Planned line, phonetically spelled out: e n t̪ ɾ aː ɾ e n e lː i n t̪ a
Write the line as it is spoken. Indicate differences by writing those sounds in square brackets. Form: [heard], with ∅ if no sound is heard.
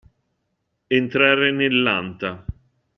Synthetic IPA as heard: e n t̪ ɾ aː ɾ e n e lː [a] n t̪ a